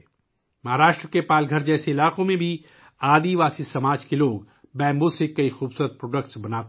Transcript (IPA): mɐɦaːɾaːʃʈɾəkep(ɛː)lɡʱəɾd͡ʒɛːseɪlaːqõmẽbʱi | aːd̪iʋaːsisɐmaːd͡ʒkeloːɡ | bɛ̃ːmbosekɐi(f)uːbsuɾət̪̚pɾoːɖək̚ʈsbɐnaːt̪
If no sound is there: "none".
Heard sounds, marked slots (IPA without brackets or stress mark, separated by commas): aː, x